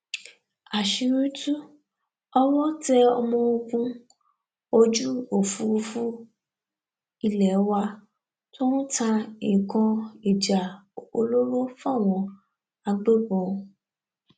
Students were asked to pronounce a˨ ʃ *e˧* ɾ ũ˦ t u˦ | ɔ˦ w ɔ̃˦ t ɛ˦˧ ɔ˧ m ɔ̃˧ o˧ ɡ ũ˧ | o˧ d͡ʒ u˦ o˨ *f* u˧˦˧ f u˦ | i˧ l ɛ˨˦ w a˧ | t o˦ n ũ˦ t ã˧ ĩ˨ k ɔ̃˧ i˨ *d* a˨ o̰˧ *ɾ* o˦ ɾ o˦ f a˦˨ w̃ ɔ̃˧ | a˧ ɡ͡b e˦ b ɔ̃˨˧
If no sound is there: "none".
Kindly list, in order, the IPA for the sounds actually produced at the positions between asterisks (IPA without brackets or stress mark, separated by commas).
i˧, f, d͡ʒ, l